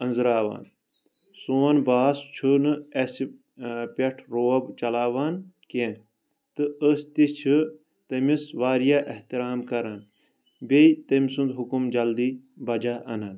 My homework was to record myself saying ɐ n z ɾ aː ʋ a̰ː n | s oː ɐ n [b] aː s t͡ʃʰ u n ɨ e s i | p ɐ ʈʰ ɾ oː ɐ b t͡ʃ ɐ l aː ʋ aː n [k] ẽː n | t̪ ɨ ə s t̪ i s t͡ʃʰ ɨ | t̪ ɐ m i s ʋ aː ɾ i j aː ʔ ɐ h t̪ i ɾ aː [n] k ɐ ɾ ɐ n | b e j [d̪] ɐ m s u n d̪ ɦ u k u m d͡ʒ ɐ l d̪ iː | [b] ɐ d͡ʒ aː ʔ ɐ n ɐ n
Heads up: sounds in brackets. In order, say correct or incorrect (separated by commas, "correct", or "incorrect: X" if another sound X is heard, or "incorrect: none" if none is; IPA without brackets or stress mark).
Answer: correct, correct, incorrect: m, incorrect: t̪, correct